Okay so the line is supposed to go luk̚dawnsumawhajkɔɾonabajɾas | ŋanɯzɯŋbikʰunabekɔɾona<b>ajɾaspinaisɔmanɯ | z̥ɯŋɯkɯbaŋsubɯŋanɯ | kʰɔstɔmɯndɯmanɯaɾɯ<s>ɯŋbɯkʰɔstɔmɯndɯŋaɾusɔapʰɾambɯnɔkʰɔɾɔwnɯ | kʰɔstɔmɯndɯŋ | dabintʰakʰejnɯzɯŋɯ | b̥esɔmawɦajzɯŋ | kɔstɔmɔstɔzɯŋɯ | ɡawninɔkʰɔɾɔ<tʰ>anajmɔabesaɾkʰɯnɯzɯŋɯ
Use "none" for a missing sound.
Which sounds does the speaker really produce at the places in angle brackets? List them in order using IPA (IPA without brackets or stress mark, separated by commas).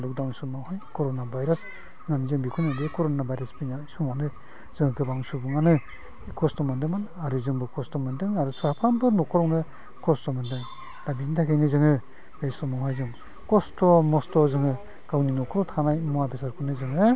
b, z, tʰ